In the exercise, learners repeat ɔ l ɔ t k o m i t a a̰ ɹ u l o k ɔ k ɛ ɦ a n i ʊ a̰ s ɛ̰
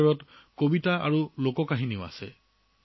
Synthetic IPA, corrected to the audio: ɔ ɹ ɔ t k o b i t a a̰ ɹ u l o k ɔ k a ɦ i n i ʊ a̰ s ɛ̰